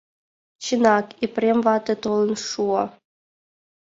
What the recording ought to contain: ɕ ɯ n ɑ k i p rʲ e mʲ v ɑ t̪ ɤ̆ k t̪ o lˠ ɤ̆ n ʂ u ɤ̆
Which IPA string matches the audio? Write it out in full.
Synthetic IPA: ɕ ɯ n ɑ k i p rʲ e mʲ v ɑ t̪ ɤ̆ t̪ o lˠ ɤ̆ n ʂ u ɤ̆

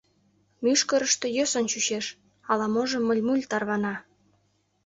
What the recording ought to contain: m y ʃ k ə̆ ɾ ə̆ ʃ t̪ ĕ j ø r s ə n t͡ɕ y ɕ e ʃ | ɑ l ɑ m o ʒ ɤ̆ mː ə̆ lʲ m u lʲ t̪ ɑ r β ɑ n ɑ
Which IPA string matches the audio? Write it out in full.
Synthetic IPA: m y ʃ k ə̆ ɾ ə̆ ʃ t̪ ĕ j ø s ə n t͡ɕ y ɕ e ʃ | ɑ l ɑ m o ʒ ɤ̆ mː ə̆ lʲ m u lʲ t̪ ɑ r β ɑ n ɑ

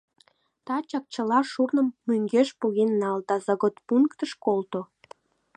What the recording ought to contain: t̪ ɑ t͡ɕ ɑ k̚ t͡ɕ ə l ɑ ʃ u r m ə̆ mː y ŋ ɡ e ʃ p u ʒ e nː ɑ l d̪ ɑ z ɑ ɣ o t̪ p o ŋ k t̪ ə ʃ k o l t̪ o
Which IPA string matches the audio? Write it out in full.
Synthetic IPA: t̪ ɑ t͡ɕ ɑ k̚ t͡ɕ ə l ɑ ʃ u r n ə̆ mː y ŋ ɡ e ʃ p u ɣ e nː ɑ l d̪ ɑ z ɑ ɣ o t̪ p u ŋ k t̪ ə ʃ k o l t̪ o

